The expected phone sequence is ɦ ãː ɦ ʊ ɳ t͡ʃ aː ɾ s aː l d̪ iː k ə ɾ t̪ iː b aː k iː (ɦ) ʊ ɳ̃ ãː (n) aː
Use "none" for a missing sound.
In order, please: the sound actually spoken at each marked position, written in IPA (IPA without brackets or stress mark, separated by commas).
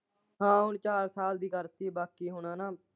ɦ, n